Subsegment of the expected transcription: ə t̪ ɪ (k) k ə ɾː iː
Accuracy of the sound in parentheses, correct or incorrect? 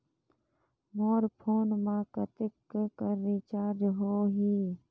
correct